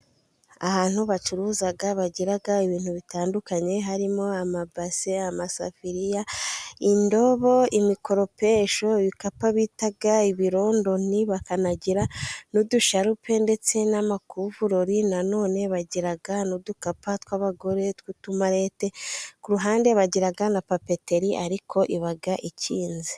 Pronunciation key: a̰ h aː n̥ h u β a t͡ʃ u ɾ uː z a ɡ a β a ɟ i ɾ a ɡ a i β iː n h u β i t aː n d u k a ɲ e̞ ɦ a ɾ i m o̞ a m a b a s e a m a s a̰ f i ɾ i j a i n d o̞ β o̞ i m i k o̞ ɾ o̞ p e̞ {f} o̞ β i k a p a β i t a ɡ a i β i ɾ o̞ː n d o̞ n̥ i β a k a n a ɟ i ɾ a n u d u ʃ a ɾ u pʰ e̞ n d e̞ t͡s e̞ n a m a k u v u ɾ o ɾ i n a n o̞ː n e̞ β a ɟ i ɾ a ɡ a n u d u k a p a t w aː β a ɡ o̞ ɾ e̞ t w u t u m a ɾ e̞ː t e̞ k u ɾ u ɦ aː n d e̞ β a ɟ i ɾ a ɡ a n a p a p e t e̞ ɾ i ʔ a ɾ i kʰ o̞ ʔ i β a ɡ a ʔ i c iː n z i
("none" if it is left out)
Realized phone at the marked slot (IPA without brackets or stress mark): ʃ